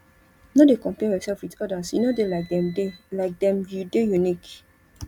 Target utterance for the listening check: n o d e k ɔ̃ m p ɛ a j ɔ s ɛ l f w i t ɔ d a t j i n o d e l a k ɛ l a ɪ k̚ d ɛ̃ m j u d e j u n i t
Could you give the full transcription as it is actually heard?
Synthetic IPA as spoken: n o d e k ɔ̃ m p ɛ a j ɔ s ɛ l f w i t ɔ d a s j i n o d e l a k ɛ l a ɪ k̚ d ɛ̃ m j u d e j u n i k